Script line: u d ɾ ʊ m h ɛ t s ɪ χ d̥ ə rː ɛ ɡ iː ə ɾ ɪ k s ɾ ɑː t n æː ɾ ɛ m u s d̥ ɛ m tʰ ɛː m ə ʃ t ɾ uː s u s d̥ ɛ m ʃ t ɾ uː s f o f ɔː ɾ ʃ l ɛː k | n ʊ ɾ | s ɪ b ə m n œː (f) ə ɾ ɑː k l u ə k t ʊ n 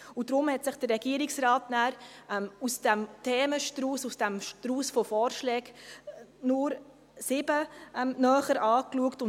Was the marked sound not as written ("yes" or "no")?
yes